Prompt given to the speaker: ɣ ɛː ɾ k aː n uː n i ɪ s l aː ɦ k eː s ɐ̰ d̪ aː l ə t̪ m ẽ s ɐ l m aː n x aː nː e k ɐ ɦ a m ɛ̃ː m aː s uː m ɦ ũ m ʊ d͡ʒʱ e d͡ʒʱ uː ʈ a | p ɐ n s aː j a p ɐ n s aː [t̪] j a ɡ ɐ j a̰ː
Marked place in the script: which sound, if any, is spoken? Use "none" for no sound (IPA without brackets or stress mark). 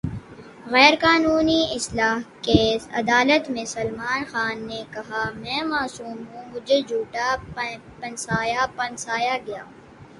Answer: none